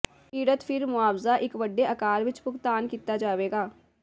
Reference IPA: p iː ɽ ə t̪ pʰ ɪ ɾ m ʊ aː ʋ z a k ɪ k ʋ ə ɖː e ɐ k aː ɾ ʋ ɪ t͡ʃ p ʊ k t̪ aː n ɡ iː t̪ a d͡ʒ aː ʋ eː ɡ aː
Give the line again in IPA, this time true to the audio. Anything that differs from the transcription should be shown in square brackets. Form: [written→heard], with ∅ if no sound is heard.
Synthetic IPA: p iː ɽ ə t̪ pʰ ɪ ɾ m ʊ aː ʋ z a [k→ʔ] ɪ k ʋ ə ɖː e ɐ k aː ɾ ʋ ɪ t͡ʃ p ʊ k t̪ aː n [ɡ→k] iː t̪ a d͡ʒ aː ʋ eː ɡ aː

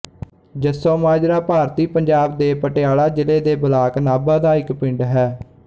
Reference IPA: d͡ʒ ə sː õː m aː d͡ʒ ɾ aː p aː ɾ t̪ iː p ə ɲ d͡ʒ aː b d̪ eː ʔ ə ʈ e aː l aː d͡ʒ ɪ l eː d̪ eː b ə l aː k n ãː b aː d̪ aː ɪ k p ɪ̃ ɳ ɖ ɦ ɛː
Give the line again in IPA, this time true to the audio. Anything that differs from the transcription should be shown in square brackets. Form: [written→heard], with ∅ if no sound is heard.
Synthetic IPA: d͡ʒ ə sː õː m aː d͡ʒ ɾ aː p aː ɾ t̪ iː p ə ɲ d͡ʒ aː b d̪ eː [ʔ→p] ə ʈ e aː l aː d͡ʒ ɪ l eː d̪ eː b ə l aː k n [ãː→aː] b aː d̪ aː ɪ k p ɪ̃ ɳ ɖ ɦ ɛː

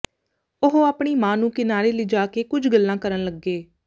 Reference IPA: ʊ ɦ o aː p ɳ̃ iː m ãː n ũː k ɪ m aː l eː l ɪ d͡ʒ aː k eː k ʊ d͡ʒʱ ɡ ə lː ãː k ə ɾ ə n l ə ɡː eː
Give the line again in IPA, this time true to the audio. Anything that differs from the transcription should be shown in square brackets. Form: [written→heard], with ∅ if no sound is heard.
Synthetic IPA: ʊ ɦ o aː p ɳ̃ iː m ãː n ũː k ɪ [m→n] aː [l→ɾ] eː l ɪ d͡ʒ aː k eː k ʊ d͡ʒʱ ɡ ə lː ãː k ə ɾ ə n l ə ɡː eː

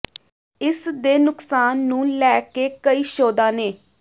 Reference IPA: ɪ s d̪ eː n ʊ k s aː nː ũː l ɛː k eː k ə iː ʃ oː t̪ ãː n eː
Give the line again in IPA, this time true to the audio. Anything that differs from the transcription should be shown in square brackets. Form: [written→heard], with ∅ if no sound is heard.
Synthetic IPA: ɪ s d̪ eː n ʊ k s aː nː ũː l ɛː k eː k ə iː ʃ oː [t̪→d̪] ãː n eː

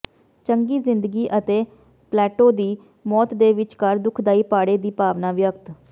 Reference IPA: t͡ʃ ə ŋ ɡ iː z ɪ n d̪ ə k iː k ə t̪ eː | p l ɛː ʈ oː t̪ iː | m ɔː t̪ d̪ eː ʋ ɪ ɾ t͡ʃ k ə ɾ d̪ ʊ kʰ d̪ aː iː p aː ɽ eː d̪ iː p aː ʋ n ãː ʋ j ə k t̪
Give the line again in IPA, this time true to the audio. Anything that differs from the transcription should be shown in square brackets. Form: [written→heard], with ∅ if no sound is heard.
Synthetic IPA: t͡ʃ ə ŋ ɡ iː z ɪ n d̪ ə [k→ɡ] iː [k→ʔ] ə t̪ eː | p l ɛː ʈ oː [t̪→d̪] iː | m ɔː t̪ d̪ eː ʋ ɪ [ɾ→∅] t͡ʃ k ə ɾ d̪ ʊ kʰ d̪ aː iː p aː ɽ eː d̪ iː p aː ʋ n [ãː→aː] ʋ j ə k t̪

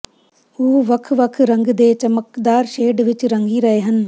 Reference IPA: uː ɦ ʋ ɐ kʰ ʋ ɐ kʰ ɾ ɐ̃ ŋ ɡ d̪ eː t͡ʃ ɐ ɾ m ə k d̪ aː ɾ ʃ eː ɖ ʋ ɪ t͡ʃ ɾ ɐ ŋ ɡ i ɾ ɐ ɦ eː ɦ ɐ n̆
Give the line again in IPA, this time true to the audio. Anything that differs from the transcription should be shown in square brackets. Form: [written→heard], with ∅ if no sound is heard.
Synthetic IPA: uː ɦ ʋ ɐ kʰ ʋ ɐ kʰ ɾ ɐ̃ ŋ ɡ d̪ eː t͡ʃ ɐ [ɾ→∅] m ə k d̪ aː ɾ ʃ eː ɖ ʋ ɪ t͡ʃ ɾ ɐ ŋ ɡ i ɾ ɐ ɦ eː ɦ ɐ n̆

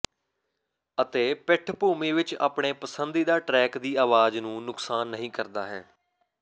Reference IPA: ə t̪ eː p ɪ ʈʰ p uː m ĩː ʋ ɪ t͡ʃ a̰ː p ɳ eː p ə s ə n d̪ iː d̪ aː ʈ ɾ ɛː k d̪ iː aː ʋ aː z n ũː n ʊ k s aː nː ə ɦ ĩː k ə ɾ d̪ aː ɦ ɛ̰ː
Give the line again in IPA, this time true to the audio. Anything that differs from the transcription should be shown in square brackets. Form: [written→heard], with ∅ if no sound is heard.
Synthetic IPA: ə t̪ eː p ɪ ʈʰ p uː m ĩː ʋ ɪ t͡ʃ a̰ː p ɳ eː p ə s ə n d̪ iː d̪ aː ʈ ɾ ɛː k d̪ iː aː ʋ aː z n ũː n ʊ k s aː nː ə ɦ ĩː k ə ɾ d̪ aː ɦ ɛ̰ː

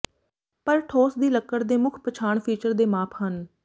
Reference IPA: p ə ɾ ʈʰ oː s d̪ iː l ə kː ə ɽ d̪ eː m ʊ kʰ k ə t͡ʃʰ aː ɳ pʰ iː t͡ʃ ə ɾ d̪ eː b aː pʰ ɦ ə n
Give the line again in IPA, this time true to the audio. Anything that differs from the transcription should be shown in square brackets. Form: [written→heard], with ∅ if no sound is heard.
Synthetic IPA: p ə ɾ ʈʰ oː s d̪ iː l ə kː ə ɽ d̪ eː m ʊ kʰ [k→p] ə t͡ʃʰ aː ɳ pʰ iː t͡ʃ ə ɾ d̪ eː [b→m] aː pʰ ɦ ə n

